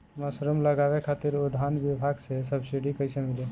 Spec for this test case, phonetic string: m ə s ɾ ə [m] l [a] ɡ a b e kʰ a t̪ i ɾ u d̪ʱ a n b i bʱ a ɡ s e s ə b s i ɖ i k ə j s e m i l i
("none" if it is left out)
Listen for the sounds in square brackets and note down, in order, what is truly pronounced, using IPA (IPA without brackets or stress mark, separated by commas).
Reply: m, ə